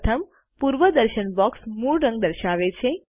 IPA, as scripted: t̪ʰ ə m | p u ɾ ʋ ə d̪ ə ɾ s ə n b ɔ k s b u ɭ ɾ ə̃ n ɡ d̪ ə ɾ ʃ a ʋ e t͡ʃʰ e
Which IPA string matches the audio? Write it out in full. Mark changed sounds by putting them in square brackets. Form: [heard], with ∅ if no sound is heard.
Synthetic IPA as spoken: t̪ʰ ə m | p u ɾ ʋ ə d̪ ə ɾ [ʃ] ə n b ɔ k s [m] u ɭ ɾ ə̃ [ŋ] ɡ d̪ ə ɾ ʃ a ʋ e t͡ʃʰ e